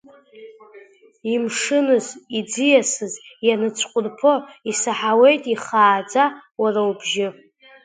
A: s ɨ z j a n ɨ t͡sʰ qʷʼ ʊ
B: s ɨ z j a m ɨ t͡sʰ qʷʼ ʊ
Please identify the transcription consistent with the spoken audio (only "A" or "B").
A